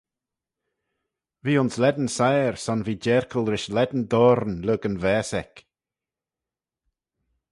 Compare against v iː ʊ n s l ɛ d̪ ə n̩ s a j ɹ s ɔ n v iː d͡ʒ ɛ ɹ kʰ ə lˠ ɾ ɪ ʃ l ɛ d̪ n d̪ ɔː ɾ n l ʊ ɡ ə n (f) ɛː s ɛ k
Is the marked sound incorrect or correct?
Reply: incorrect